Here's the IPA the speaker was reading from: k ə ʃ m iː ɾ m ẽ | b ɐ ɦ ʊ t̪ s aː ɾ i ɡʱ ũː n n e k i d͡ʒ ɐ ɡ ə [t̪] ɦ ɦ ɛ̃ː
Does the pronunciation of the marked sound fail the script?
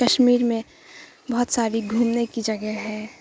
yes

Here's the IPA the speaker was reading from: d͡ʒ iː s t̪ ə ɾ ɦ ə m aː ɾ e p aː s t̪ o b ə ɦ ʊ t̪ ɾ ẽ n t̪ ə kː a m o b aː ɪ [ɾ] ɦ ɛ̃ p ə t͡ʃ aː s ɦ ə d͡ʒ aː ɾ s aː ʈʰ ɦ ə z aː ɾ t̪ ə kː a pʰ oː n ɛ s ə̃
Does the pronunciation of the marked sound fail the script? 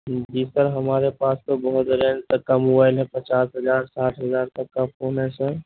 yes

